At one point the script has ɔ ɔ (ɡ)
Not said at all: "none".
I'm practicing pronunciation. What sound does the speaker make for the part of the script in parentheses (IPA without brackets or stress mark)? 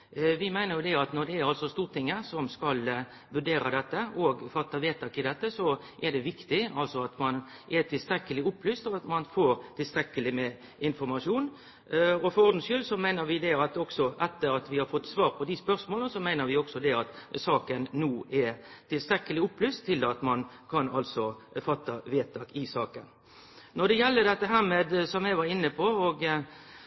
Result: ɡ